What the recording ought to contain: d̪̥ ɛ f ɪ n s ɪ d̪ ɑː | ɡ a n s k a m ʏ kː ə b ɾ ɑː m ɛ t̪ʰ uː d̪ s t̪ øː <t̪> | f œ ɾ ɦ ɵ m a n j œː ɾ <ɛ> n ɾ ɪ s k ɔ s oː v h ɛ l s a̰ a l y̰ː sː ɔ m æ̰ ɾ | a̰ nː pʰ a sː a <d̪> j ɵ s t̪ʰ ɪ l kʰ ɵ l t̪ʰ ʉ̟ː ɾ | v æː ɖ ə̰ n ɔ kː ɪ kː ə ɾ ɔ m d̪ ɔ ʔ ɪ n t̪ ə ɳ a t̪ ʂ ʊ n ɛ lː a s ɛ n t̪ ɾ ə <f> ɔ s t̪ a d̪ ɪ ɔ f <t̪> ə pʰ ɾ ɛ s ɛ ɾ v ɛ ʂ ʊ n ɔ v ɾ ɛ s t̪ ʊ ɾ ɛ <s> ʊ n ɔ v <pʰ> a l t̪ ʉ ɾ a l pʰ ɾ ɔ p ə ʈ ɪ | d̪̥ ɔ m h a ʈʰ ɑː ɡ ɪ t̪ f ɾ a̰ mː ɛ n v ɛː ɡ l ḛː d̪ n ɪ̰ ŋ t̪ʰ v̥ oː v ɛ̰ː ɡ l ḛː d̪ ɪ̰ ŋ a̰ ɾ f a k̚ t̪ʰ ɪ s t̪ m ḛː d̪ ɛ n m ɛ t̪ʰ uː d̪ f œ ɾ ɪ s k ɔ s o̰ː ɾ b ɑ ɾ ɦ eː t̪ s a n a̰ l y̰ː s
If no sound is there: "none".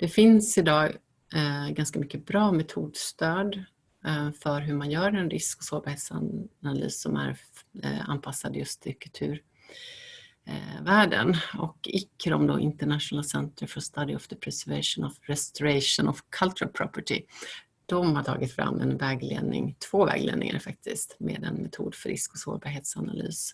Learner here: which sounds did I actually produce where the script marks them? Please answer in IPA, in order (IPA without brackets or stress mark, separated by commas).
d̪, ɛ, d̪, f, d̪, ʂ, kʰ